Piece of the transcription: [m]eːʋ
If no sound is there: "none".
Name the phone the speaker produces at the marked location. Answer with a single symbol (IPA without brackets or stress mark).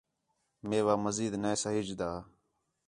m